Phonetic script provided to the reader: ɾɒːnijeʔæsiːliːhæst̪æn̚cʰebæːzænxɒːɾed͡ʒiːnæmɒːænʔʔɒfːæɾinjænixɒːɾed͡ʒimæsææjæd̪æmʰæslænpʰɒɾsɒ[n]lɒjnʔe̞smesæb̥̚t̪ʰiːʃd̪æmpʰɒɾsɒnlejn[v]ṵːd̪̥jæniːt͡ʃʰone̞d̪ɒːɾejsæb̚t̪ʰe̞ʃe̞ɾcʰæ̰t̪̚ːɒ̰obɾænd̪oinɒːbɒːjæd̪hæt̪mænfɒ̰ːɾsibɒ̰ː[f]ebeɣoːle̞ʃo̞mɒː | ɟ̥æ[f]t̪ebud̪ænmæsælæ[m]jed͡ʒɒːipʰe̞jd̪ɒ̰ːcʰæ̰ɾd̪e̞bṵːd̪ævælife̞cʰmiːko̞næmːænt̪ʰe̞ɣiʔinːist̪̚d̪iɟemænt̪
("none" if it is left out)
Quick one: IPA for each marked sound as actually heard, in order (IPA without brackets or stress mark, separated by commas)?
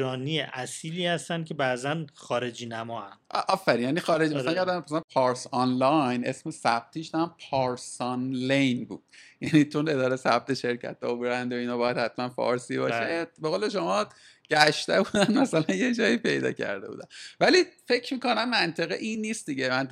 n, b, ʃ, ʃ, n